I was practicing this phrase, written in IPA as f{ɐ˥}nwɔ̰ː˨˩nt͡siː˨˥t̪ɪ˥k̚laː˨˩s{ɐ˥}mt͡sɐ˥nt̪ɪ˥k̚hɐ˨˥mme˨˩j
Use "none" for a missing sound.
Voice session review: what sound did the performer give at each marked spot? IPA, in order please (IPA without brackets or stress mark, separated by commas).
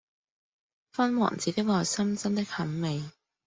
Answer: ɐ˥, ɐ˥